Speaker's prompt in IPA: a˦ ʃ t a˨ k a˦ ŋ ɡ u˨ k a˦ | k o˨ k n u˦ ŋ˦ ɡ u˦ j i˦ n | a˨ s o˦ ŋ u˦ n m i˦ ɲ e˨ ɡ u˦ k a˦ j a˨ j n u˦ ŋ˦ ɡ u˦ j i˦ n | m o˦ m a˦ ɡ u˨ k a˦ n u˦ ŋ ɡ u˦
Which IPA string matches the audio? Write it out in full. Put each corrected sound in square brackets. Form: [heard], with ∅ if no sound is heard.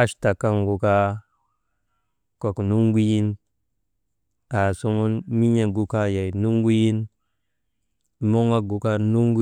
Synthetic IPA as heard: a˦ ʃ t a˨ k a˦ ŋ ɡ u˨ k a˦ | k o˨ k n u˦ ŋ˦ ɡ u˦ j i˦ n | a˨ s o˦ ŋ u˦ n m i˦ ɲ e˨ ɡ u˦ k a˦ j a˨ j n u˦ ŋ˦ ɡ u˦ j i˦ n | m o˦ [ŋ] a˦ ɡ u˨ k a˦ n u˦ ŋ ɡ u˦